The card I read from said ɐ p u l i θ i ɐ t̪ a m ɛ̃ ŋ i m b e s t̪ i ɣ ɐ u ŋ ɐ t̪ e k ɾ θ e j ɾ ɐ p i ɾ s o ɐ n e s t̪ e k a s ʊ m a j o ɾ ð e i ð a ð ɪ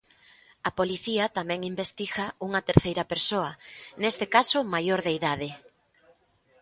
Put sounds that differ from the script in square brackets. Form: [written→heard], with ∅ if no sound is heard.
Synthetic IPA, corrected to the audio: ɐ p [u→o] l i θ i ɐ t̪ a m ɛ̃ ŋ i m b e s t̪ i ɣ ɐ u ŋ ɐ t̪ e [k→∅] ɾ θ e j ɾ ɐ p [i→e] ɾ s o ɐ n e s t̪ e k a s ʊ m a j o ɾ ð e i ð a ð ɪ

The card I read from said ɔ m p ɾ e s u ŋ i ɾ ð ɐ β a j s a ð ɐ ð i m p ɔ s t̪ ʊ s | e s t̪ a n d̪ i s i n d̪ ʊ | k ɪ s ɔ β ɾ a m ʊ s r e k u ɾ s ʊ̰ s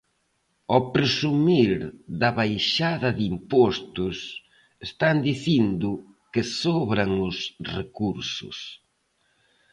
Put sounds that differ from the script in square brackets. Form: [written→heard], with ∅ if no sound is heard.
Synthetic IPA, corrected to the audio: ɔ [m→∅] p ɾ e s u [ŋ→m] i ɾ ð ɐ β a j [s→ʃ] a ð ɐ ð i m p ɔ s t̪ ʊ s | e s t̪ a n d̪ i [s→θ] i n d̪ ʊ | k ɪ s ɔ β ɾ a [m→ŋ] ʊ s r e k u ɾ s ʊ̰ s

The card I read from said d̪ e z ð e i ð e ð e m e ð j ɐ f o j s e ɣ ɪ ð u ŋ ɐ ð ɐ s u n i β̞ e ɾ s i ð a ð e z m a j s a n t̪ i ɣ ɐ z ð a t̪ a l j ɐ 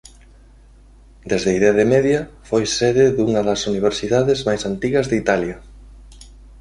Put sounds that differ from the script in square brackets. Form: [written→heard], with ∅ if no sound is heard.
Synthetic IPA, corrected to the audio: d̪ e z ð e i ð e ð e m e ð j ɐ f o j s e [ɣ→ð] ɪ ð u ŋ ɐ ð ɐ s u n i β̞ e ɾ s i ð a ð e z m a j s a n t̪ i ɣ ɐ z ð [a→i] t̪ a l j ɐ

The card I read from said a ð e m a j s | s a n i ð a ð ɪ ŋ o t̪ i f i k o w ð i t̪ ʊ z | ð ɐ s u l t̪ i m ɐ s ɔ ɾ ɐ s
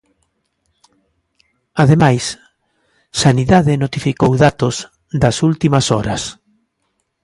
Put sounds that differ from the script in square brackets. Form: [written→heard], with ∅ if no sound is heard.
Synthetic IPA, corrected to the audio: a ð e m a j s | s a n i ð a ð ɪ [ŋ→n] o t̪ i f i k o w ð [i→a] t̪ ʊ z | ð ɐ s u l t̪ i m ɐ s ɔ ɾ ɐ s

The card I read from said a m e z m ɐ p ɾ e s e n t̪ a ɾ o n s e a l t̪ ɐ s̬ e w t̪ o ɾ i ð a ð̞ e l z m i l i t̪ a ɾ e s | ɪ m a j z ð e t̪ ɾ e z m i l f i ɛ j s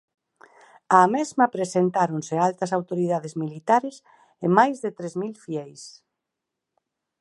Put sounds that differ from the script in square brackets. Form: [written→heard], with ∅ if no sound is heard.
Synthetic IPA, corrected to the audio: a m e z m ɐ p ɾ e s e n t̪ a ɾ o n s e a l t̪ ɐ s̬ [e→a] w t̪ o ɾ i ð a ð̞ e [l→∅] z m i l i t̪ a ɾ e s | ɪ m a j z ð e t̪ ɾ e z m i l f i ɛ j s

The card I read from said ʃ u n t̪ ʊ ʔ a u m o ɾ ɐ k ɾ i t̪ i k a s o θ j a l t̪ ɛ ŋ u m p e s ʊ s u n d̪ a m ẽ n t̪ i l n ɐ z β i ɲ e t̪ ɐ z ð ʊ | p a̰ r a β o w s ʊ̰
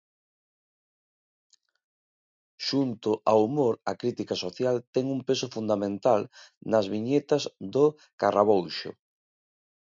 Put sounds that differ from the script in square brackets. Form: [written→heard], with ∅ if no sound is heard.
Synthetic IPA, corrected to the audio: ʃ u n t̪ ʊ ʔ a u m o ɾ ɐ k ɾ i t̪ i k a s o θ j a l t̪ ɛ ŋ u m p e s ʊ [s→f] u n d̪ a m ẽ n t̪ [i→a] l n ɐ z β i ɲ e t̪ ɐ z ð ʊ | [p→k] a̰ r a β o w [s→ʃ] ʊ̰

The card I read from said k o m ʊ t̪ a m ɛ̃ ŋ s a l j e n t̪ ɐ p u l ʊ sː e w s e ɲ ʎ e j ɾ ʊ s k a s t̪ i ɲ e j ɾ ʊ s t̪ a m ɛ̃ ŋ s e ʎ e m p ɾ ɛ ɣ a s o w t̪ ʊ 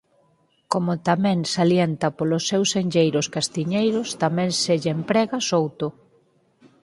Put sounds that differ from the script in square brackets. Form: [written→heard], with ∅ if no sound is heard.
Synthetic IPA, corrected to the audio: k o m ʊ t̪ a m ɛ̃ ŋ s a l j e n t̪ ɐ p [u→o] l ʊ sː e w s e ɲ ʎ e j ɾ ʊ s k a s t̪ i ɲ e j ɾ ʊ s t̪ a m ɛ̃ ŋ s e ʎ e m p ɾ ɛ ɣ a s o w t̪ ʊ

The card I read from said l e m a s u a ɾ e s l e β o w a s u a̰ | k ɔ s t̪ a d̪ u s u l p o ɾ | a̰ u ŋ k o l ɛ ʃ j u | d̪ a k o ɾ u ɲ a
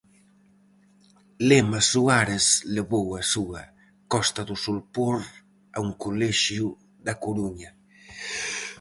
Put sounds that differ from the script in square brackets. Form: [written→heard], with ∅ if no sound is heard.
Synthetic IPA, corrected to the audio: l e m a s u a ɾ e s l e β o w a s u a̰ | k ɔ s t̪ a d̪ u s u l p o ɾ | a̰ u ŋ k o l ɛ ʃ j u | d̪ a k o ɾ u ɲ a

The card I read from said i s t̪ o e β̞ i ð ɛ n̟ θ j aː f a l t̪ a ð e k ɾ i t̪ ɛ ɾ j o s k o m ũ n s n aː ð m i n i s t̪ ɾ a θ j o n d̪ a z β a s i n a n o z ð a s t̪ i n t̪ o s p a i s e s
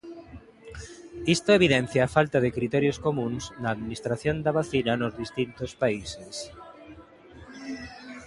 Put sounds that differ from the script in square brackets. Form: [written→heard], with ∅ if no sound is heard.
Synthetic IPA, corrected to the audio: i s t̪ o e β̞ i ð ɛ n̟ θ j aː f a l t̪ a ð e k ɾ i t̪ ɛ ɾ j o s k o m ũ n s n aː ð m i n i s t̪ ɾ a θ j o n d̪ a [z→∅] β a [s→θ] i n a n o z ð [a→i] s t̪ i n t̪ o s p a i s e s

